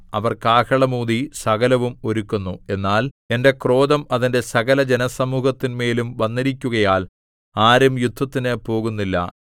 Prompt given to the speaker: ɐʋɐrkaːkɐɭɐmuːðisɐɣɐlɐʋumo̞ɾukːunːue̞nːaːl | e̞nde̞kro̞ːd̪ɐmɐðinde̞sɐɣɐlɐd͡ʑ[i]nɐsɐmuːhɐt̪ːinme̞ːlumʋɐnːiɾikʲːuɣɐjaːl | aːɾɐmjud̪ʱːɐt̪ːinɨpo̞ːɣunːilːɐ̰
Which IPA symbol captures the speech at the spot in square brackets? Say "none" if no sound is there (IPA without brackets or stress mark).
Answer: e